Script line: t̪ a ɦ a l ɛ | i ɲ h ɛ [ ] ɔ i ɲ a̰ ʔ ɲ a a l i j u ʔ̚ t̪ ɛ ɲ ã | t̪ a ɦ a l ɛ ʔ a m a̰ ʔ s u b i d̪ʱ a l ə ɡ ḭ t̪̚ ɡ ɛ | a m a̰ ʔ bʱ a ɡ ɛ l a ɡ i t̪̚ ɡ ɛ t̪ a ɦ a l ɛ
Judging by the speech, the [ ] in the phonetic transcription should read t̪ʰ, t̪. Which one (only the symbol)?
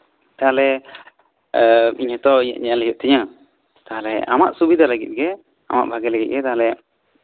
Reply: t̪